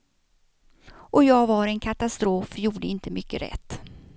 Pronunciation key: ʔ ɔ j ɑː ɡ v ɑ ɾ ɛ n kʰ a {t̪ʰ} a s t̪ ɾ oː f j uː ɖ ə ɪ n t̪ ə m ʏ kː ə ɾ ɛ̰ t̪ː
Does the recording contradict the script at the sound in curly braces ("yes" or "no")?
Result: yes